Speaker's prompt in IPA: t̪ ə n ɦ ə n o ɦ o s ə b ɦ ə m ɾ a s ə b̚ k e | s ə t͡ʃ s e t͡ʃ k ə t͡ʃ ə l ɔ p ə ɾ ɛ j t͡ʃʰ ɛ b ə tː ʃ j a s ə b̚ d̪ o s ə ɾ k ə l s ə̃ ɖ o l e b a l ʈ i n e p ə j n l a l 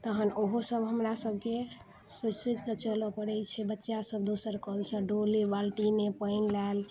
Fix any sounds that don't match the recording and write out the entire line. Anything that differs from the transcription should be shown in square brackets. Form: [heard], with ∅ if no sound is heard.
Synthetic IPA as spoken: t̪ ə [∅] ɦ ə n o ɦ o s ə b ɦ ə m ɾ a s ə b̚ k e | s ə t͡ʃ s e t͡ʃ k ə t͡ʃ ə l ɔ p ə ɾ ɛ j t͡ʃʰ ɛ b ə tː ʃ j a s ə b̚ d̪ o s ə ɾ k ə l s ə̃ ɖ o l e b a l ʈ i n e p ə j n l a l